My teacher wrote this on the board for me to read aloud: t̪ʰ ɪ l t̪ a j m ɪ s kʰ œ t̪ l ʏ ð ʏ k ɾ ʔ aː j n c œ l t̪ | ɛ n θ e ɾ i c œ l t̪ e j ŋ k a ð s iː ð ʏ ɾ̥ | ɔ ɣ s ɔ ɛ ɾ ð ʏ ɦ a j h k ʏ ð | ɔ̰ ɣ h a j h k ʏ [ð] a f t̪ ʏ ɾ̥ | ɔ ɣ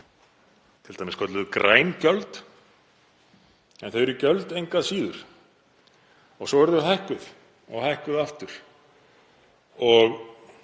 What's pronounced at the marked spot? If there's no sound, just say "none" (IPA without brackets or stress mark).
ð